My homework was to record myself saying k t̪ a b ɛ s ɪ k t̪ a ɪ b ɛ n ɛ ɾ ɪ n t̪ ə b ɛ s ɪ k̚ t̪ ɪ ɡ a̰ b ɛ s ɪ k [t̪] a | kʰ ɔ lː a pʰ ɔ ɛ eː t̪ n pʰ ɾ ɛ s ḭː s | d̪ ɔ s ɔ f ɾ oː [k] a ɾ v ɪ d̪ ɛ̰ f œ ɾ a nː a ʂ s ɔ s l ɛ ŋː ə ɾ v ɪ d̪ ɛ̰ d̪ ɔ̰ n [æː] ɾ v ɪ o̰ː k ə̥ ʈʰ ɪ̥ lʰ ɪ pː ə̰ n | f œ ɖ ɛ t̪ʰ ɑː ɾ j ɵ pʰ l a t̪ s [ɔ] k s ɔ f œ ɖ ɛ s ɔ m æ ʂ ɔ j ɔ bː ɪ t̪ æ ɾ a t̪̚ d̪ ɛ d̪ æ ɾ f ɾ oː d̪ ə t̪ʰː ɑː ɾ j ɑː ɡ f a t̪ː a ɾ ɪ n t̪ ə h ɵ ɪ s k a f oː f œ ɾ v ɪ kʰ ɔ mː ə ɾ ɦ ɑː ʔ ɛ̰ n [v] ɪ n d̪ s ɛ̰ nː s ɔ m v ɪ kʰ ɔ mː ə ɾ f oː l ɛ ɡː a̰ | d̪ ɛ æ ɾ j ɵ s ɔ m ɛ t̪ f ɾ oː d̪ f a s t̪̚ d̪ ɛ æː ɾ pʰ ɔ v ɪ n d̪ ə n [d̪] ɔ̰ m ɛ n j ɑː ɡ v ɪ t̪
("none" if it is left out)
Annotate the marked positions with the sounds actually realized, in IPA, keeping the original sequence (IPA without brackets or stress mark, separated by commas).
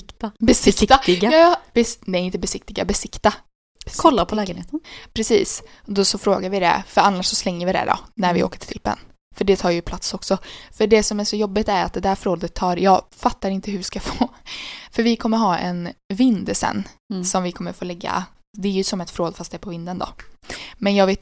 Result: t̪, ɡ, æ, ɔ, v, d̪